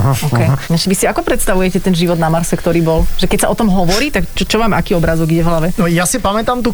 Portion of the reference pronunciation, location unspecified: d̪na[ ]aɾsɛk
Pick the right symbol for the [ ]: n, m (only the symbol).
m